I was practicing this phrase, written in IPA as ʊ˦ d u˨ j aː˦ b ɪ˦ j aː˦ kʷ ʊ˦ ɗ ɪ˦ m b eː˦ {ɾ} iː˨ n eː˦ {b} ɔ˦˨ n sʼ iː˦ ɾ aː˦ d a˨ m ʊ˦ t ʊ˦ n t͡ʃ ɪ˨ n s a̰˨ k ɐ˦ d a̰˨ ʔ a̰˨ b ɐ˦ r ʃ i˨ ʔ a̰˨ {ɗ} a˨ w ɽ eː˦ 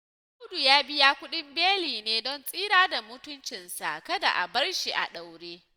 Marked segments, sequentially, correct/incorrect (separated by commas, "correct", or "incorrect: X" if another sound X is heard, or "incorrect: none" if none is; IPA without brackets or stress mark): incorrect: l, incorrect: d, correct